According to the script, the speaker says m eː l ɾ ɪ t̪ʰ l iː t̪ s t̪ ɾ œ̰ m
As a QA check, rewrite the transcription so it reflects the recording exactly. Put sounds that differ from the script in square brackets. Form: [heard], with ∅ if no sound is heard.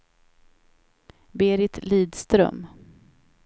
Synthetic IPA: [b] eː [∅] ɾ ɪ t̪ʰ l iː [d̪] s t̪ ɾ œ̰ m

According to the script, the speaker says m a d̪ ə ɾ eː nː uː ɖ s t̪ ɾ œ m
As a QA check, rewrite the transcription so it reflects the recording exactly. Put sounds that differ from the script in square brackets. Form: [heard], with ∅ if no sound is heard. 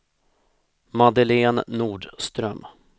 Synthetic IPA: m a d̪ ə [l] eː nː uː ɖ s t̪ ɾ œ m

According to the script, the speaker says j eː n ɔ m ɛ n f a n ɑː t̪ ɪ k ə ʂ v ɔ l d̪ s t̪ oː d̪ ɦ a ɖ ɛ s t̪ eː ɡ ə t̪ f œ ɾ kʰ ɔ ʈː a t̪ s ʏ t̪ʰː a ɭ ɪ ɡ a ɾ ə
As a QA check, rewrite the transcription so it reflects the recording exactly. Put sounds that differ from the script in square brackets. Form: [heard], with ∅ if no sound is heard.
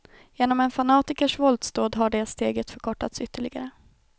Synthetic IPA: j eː n ɔ m ɛ n f a n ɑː t̪ ɪ k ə ʂ v ɔ l d̪ s t̪ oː d̪ ɦ a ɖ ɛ s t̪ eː ɡ ə t̪ f œ ɾ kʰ ɔ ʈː a t̪ s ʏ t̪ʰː [ə] ɭ ɪ ɡ a ɾ ə

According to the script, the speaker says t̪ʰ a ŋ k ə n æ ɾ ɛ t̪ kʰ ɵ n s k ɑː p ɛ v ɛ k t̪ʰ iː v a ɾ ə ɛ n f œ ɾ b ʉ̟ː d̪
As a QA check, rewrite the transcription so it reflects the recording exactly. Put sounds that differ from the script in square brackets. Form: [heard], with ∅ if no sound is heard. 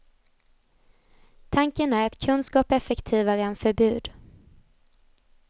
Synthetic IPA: t̪ʰ a ŋ k ə n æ ɾ ɛ t̪ kʰ ɵ n s k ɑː p ɛ [f] ɛ k t̪ʰ iː v a ɾ ə ɛ n f œ ɾ b ʉ̟ː d̪

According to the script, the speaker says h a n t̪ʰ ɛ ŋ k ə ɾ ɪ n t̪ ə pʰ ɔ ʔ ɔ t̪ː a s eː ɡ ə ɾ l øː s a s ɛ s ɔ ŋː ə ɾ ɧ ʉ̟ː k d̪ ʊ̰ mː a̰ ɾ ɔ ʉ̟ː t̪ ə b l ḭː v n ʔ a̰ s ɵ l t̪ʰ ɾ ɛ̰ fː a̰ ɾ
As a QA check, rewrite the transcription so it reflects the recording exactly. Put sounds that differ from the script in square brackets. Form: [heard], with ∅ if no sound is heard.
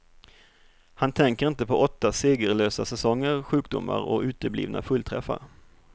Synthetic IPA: h a n t̪ʰ ɛ ŋ k ə ɾ ɪ n t̪ ə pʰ ɔ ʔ ɔ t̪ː a s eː ɡ ə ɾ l øː s a s ɛ s ɔ ŋː ə ɾ ɧ ʉ̟ː k d̪ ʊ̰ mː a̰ ɾ ɔ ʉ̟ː t̪ ə b l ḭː v n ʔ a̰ [f] ɵ l t̪ʰ ɾ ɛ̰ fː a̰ ɾ

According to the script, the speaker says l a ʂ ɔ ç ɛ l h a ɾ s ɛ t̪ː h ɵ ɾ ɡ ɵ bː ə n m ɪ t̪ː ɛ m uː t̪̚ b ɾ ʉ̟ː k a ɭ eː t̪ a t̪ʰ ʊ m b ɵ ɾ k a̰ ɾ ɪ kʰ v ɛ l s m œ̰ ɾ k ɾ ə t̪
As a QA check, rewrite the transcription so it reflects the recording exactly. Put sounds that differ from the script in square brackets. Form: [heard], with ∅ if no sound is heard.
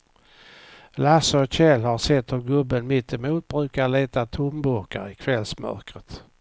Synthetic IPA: l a [s] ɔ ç ɛ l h a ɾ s ɛ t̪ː h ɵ ɾ ɡ ɵ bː ə n m ɪ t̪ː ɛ m uː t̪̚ b ɾ ʉ̟ː k a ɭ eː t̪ a t̪ʰ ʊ m b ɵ ɾ k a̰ ɾ ɪ kʰ v ɛ l s m œ̰ ɾ k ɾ ə t̪

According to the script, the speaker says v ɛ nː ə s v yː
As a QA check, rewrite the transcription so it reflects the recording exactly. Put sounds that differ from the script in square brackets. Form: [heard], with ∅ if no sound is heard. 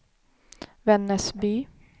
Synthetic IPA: v ɛ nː ə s [b] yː

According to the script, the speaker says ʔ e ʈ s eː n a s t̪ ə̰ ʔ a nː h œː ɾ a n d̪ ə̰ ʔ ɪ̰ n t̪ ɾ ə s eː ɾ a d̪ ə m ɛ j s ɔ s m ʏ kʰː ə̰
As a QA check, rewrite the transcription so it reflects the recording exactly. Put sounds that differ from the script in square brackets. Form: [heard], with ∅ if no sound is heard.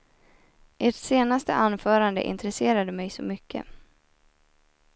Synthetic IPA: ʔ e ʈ s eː n a s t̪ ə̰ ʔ a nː [f] œː ɾ a n d̪ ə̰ ʔ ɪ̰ n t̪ ɾ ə s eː ɾ a d̪ ə m ɛ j s ɔ [∅] m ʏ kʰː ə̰

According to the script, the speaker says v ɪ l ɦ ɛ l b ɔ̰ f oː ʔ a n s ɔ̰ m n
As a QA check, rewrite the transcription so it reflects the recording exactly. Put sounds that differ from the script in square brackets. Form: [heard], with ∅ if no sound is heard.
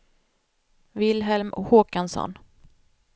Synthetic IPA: v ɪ l ɦ ɛ l [m] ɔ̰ [h] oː [k] a n s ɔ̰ [∅] n

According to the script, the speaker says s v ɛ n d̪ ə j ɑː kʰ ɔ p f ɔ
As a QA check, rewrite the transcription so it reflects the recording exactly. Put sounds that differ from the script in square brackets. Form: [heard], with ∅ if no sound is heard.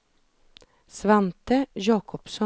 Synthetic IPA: s [ʋ] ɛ n [t̪] ə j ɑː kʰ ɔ p [s] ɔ

